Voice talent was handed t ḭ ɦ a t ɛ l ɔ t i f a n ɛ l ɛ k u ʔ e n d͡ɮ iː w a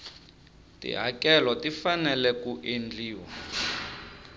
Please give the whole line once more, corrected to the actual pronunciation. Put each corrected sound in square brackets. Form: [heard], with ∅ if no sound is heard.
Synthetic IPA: t ḭ ɦ a [k] ɛ l ɔ t i f a n ɛ l ɛ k u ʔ e n d͡ɮ iː w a